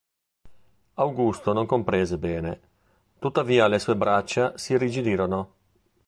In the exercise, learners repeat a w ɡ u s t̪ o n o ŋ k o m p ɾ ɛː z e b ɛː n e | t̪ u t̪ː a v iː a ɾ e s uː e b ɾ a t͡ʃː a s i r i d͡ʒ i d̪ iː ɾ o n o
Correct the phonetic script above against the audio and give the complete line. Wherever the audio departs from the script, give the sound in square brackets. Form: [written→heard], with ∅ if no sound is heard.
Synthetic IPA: a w ɡ u s t̪ o n o ŋ k o m p ɾ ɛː z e b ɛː n e | t̪ u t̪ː a v iː a [ɾ→l] e s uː e b ɾ a t͡ʃː a s i r i d͡ʒ i d̪ iː ɾ o n o